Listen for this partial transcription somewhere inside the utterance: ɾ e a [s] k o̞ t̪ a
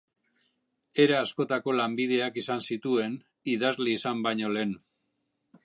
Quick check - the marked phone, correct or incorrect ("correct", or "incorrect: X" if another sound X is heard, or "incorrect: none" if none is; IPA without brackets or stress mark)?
correct